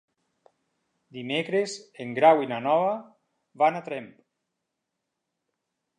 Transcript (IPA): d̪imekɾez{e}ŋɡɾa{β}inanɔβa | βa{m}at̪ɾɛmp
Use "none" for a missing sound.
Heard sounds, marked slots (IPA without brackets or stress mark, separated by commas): e, w, n